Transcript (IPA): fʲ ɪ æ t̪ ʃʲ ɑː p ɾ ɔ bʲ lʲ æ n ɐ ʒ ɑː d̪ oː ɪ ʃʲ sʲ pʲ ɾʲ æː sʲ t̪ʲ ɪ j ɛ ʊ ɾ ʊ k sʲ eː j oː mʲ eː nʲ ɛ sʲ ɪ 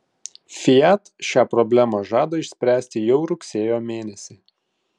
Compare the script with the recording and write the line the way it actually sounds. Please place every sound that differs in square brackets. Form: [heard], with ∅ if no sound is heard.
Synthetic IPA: fʲ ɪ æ t̪ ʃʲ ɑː p ɾ ɔ bʲ lʲ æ [m] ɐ ʒ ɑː d̪ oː ɪ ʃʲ sʲ pʲ ɾʲ æː sʲ t̪ʲ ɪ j ɛ ʊ ɾ ʊ k sʲ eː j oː mʲ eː nʲ ɛ sʲ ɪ